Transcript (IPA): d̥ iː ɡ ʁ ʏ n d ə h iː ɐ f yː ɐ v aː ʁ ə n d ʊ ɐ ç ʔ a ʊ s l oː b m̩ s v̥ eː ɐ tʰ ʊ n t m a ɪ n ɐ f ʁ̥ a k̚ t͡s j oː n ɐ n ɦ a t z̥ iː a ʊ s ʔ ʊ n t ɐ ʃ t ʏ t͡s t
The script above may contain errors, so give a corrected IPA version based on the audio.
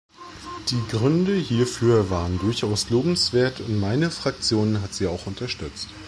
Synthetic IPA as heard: d̥ iː ɡ ʁ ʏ n d ə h iː ɐ f yː ɐ v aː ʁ ə n d ʊ ɐ ç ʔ a ʊ s l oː b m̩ s v̥ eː ɐ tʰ ʊ n t m a ɪ n ə f ʁ̥ a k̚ t͡s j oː n ə n ɦ a t z̥ iː a ʊ x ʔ ʊ n t ɐ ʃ t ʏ t͡s t